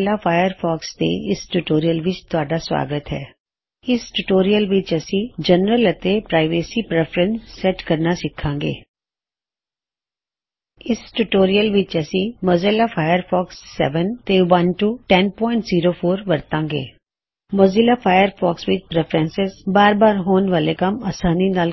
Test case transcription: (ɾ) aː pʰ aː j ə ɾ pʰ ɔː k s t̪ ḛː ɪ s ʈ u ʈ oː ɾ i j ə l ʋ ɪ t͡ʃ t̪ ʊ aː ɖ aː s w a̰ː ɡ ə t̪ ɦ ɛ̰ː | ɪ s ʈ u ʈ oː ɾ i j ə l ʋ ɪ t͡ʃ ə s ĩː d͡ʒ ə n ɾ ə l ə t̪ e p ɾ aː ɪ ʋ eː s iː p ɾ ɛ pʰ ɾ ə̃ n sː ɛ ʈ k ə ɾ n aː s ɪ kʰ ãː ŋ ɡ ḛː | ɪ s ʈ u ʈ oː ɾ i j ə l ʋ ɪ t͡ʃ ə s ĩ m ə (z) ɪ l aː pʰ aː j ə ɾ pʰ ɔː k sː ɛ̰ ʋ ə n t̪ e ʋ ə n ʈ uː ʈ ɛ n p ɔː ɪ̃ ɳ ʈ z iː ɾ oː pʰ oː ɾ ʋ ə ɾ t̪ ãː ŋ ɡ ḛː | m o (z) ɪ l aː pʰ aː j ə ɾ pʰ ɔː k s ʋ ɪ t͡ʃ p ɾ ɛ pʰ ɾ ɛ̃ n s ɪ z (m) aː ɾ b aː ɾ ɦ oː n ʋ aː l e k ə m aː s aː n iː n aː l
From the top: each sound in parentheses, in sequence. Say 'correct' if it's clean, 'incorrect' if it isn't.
incorrect, correct, correct, incorrect

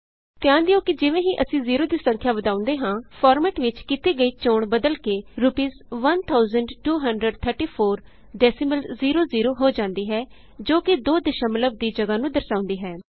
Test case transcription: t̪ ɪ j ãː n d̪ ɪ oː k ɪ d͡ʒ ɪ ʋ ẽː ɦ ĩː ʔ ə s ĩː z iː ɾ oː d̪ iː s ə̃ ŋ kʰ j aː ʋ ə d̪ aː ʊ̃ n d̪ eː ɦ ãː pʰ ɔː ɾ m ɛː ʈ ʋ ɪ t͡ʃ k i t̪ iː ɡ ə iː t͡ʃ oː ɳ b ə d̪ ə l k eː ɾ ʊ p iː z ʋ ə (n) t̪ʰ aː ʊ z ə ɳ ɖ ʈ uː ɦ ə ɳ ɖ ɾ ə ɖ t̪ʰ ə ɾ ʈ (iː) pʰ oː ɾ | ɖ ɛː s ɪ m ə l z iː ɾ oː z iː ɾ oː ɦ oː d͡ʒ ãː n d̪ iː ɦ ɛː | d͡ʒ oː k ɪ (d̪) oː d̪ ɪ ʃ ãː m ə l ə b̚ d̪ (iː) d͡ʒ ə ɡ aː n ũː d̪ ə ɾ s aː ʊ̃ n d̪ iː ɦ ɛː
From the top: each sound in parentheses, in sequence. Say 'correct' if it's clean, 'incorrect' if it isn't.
correct, correct, correct, correct

